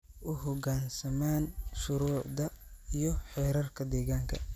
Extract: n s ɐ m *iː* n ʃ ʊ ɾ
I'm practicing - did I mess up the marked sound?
yes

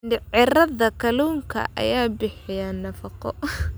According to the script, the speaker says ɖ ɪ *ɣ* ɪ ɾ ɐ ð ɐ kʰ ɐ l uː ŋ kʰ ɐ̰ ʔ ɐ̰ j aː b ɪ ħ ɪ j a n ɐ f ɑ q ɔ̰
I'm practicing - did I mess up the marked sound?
yes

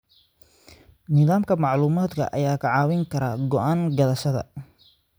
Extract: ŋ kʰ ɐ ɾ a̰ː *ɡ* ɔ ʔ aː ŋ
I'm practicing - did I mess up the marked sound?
no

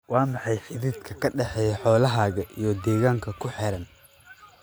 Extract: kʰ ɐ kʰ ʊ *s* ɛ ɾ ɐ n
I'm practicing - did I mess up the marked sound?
yes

